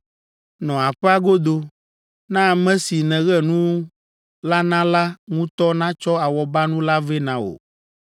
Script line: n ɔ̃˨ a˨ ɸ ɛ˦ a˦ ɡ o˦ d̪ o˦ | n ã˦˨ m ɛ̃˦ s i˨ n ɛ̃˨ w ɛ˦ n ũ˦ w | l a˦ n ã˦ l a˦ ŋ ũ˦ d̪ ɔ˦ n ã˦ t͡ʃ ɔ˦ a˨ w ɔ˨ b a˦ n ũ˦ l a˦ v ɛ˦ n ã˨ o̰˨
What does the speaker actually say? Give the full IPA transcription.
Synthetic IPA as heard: n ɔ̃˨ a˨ ɸ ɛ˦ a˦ ɡ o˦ d̪ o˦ | n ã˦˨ m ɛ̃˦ s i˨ n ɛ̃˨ ɣ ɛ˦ n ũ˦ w | l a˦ n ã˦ l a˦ ŋ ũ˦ t̪ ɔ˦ n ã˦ t͡ʃ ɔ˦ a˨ w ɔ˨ b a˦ n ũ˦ l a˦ v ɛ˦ n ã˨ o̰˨